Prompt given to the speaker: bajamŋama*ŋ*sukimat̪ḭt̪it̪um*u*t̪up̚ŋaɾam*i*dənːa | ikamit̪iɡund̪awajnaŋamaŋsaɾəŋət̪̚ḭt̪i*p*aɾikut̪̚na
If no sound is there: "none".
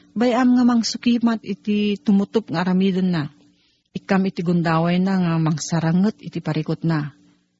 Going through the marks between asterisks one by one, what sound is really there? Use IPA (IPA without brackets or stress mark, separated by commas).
ŋ, u, i, p